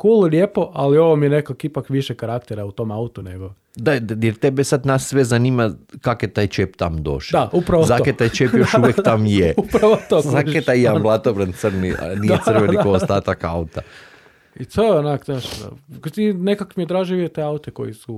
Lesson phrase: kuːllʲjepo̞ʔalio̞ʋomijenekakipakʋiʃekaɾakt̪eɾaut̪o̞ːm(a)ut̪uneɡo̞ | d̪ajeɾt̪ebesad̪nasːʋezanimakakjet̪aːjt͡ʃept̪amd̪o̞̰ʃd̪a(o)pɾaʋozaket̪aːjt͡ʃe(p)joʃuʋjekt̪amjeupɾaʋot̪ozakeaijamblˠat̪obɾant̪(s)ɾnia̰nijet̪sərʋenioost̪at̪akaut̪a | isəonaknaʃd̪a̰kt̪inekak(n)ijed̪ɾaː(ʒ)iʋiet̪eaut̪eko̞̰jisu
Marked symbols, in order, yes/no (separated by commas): yes, no, yes, yes, no, yes